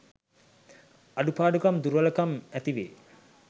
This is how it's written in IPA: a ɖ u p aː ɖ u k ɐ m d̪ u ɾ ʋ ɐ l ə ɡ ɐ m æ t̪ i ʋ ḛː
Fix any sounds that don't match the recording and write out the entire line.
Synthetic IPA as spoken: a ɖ u p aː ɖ u k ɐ m d̪ u ɾ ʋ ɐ l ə k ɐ m æ t̪ i ʋ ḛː